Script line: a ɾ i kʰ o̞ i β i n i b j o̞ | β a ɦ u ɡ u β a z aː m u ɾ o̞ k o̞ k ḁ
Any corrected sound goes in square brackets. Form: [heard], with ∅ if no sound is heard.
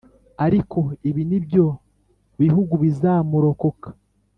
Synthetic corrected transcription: a ɾ i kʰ o̞ i β i n i b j o̞ | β [i] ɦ u ɡ u β [i] z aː m u ɾ o̞ k o̞ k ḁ